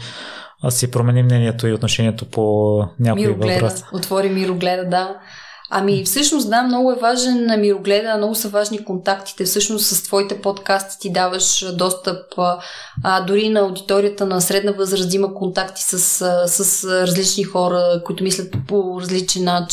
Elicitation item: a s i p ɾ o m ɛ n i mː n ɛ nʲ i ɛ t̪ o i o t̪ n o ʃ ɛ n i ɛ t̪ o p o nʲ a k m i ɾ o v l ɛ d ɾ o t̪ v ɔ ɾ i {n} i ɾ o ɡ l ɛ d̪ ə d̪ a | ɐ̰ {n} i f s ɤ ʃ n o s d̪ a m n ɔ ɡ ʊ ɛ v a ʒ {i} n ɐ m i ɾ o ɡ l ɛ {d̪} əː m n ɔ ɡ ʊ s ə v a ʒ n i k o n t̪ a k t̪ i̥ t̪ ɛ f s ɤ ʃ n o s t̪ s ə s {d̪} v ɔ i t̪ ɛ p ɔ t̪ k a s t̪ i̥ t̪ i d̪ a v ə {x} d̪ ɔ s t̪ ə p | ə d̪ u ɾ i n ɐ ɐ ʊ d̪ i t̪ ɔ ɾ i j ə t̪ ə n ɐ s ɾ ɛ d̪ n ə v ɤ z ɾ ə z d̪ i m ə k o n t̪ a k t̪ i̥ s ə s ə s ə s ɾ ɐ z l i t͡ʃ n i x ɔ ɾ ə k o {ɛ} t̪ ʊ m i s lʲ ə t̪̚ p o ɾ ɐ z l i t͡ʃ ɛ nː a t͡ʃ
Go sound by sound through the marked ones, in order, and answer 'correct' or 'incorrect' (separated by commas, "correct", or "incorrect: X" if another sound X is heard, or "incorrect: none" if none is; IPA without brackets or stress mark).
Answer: incorrect: m, incorrect: m, incorrect: ɛ, correct, incorrect: t̪, incorrect: ʃ, incorrect: i